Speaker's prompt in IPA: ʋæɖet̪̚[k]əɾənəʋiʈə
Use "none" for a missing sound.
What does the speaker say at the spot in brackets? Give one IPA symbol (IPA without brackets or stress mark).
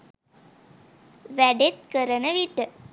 k